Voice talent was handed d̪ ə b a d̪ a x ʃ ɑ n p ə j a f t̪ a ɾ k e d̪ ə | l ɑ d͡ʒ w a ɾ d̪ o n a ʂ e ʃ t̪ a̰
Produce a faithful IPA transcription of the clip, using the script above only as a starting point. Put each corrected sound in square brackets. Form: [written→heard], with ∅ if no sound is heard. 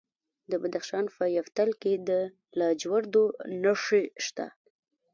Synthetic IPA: d̪ ə b a d̪ a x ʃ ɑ n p ə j a f t̪ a [ɾ→l] k e d̪ ə | l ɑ d͡ʒ w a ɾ d̪ o n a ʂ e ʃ t̪ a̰